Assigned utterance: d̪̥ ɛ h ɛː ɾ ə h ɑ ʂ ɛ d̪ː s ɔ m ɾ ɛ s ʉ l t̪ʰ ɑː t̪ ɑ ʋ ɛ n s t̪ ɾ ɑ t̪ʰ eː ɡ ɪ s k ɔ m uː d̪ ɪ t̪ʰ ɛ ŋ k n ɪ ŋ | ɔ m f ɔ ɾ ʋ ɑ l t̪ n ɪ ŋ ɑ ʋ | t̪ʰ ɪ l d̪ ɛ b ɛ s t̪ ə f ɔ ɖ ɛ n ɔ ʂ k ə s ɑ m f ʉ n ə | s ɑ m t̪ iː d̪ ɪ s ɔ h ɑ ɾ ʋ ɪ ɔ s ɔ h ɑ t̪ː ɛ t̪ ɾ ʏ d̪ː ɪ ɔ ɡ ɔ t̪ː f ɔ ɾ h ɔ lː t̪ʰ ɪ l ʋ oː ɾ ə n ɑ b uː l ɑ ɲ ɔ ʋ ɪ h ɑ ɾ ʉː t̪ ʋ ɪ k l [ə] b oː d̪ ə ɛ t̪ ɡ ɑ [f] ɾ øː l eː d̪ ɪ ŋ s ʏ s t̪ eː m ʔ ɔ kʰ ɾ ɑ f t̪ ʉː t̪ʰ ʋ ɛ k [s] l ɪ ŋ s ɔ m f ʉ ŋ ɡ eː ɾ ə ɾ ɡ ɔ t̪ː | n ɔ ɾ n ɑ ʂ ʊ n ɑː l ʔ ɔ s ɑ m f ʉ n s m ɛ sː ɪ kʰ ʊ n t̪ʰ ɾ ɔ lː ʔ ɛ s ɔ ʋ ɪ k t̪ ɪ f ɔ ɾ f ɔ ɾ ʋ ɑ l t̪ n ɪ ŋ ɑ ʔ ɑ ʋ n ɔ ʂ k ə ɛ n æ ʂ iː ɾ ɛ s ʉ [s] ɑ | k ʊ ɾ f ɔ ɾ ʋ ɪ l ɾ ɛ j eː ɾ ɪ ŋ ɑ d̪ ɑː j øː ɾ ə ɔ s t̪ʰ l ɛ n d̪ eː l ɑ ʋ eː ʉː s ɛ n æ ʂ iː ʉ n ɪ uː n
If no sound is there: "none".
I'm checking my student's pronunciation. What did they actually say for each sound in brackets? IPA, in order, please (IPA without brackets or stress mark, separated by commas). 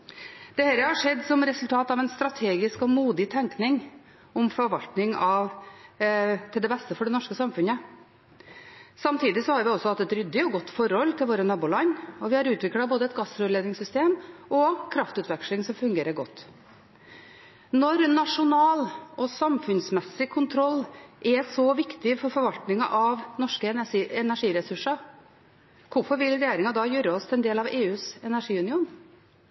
ɑ, s, ʂ, ʂ